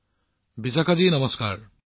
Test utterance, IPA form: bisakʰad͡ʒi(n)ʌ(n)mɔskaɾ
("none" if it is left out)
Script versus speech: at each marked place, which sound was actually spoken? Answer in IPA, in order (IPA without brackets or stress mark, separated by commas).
n, none